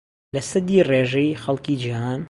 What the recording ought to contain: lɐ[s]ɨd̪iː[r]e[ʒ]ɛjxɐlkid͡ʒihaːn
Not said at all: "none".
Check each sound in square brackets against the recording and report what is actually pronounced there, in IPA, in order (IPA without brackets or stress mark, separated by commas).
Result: s, r, ʒ